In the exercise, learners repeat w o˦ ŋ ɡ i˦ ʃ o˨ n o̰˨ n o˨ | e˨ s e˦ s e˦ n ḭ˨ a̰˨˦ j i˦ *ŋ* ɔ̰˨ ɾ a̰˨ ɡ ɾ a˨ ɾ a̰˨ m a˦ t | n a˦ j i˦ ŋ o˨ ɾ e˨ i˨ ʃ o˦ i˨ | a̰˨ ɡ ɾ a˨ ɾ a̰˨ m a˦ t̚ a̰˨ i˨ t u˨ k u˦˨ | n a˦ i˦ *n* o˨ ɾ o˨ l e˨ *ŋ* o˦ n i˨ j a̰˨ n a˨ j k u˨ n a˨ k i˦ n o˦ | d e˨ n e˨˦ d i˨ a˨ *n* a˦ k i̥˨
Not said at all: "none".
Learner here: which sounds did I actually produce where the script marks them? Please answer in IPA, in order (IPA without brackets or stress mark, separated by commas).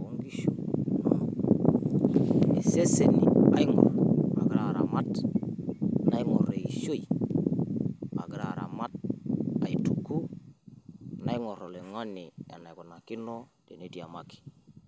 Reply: ŋ, ŋ, ŋ, m